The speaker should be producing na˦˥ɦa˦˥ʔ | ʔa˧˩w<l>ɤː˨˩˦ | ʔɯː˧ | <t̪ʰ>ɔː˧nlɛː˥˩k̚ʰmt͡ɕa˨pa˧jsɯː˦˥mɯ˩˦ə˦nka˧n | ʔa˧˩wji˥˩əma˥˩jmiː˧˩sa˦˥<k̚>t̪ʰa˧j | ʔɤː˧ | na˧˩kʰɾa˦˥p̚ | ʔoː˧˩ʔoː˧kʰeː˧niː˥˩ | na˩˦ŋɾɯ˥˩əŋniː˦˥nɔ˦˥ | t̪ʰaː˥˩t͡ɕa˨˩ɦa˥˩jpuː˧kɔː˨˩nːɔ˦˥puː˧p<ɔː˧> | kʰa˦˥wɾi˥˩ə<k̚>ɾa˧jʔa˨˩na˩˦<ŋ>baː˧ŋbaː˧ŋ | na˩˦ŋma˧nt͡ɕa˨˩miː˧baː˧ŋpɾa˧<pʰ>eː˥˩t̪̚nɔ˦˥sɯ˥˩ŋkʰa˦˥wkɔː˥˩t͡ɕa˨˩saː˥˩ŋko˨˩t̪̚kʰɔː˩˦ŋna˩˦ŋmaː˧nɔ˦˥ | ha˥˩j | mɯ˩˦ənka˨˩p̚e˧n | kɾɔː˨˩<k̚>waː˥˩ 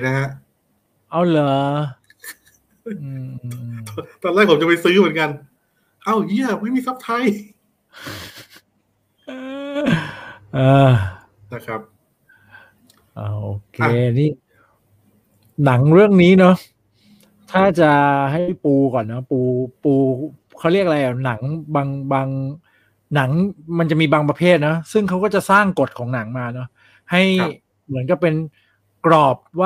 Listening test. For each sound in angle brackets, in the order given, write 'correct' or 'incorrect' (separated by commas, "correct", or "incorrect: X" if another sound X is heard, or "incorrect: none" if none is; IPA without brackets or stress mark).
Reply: correct, incorrect: t̪, incorrect: p̚, incorrect: uː˧, correct, correct, correct, incorrect: p̚